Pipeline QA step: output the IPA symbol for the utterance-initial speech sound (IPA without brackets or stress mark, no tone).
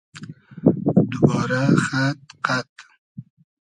d̪